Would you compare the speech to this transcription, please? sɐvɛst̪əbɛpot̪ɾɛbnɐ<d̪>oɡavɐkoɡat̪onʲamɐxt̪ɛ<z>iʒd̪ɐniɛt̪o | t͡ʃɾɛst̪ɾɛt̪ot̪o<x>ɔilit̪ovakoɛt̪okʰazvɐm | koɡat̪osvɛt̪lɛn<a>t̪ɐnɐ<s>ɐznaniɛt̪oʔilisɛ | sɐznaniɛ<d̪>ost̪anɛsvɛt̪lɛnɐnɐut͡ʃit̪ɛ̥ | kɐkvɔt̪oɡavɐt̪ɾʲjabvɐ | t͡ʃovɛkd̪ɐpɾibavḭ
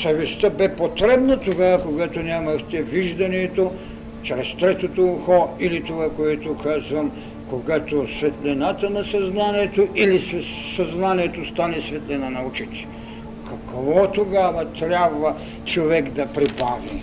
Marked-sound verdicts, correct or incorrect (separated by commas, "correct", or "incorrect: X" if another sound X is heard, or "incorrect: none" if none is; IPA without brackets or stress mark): incorrect: t̪, incorrect: v, correct, correct, correct, incorrect: t̪